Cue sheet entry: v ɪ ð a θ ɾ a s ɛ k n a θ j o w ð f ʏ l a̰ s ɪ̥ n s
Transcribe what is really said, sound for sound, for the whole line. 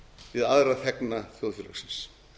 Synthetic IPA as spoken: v ɪ ð a ð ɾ a θ ɛ k n a θ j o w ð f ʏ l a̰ s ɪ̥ n s